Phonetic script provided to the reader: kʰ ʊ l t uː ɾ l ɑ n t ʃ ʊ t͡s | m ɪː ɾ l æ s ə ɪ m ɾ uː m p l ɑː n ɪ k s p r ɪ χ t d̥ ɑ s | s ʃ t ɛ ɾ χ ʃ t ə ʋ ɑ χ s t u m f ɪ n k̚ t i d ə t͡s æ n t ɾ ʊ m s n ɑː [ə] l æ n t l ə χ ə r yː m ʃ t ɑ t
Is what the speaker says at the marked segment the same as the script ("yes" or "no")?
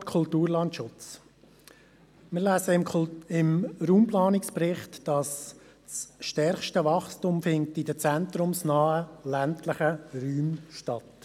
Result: yes